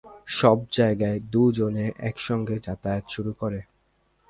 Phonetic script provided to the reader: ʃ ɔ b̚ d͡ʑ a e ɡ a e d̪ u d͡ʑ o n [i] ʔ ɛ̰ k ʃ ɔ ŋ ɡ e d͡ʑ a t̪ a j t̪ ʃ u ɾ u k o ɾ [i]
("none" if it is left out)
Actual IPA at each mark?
e, e

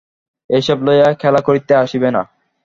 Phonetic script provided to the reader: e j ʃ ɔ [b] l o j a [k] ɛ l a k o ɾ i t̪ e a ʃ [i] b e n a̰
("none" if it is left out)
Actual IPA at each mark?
b, kʰ, i

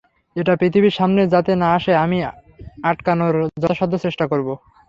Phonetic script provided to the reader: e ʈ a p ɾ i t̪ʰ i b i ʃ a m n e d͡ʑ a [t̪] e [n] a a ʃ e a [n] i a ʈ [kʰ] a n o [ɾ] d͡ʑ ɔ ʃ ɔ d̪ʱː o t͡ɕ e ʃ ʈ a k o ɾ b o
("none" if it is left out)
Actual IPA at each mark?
t̪, n, m, k, ɾ

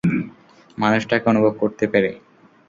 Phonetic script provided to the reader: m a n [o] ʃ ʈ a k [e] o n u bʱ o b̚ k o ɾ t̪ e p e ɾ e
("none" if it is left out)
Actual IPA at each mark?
u, e

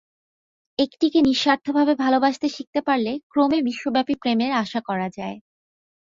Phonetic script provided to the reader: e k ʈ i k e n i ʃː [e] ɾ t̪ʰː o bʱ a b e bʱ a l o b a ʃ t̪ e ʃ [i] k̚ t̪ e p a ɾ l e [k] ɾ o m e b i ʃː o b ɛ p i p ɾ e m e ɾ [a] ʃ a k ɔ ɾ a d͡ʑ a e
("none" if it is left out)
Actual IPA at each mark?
a, i, k, a

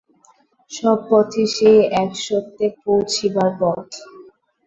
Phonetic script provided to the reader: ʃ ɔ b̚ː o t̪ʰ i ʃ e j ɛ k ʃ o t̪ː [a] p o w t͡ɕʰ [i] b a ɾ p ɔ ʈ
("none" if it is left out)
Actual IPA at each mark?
e, i

